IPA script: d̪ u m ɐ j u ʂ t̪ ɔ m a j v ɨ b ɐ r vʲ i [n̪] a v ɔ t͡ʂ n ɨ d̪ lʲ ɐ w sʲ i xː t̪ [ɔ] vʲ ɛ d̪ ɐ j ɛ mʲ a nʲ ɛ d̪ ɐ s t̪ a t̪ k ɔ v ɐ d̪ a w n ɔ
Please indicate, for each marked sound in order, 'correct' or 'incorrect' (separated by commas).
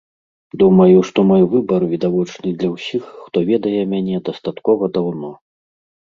incorrect, correct